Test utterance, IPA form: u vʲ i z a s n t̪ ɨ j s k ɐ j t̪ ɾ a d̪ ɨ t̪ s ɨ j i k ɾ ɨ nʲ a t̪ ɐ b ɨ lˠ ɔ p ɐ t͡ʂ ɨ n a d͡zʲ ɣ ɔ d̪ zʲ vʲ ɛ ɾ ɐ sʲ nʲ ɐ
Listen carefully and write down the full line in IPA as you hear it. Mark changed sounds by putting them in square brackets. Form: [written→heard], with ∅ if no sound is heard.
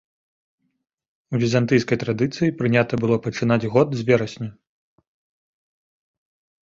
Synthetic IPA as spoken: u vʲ i z a [s→∅] n t̪ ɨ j s k ɐ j t̪ ɾ a d̪ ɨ t̪ s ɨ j i [k→p] ɾ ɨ nʲ a t̪ ɐ b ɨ lˠ ɔ p ɐ t͡ʂ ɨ n a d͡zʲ ɣ ɔ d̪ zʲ vʲ ɛ ɾ ɐ sʲ nʲ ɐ